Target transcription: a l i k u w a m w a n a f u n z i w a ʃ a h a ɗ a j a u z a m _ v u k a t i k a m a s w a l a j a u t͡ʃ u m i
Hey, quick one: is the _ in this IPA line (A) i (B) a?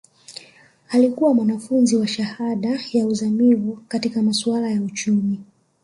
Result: A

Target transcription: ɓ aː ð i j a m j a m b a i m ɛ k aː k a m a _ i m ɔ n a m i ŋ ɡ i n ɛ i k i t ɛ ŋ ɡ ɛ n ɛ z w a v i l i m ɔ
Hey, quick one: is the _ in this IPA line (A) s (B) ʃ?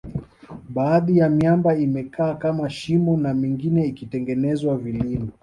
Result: B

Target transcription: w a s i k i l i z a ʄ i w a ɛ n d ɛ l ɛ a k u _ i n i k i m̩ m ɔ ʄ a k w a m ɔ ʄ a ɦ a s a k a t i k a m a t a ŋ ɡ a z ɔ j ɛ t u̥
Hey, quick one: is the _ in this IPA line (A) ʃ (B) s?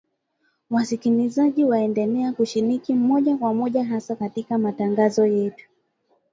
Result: A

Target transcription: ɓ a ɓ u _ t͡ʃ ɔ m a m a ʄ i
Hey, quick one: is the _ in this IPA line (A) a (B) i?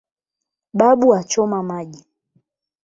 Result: A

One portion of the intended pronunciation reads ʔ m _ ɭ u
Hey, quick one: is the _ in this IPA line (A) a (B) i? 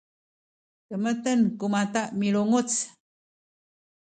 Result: B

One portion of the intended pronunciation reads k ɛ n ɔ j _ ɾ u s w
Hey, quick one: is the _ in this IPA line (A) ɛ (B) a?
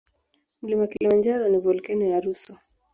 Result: B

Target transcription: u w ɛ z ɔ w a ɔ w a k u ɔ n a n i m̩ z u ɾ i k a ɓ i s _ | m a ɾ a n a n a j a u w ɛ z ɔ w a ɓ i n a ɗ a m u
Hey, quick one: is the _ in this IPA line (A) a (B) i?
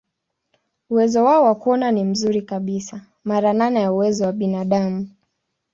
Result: A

